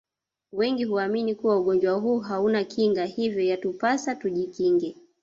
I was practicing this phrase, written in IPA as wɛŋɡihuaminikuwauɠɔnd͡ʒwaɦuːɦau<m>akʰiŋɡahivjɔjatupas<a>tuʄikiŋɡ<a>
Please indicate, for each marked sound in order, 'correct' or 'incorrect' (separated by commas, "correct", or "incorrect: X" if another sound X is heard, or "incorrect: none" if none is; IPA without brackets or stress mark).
incorrect: n, correct, incorrect: ɛ